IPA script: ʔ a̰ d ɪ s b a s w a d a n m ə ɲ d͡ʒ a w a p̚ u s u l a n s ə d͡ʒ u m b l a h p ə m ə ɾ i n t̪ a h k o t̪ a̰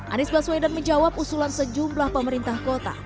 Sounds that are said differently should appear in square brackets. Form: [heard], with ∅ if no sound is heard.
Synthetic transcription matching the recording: ʔ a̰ [n] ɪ s b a s w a d a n m ə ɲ d͡ʒ a w a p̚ u s u l a n s ə d͡ʒ u m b l a h p ə m ə ɾ i n t̪ a h k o t̪ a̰